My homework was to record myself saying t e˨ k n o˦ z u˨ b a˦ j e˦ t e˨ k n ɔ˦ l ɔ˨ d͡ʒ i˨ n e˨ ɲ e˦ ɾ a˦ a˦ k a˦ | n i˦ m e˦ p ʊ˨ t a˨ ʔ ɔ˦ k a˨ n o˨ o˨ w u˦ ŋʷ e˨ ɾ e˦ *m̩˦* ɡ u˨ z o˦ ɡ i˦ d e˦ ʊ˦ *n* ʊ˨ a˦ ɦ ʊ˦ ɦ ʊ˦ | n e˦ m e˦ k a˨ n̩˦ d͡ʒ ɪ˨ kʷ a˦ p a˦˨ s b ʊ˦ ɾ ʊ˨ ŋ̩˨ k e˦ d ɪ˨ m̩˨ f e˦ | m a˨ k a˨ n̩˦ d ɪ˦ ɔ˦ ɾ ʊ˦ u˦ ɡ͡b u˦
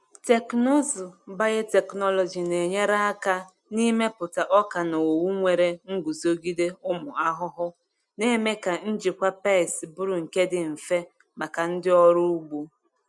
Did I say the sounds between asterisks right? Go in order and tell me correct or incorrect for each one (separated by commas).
incorrect, incorrect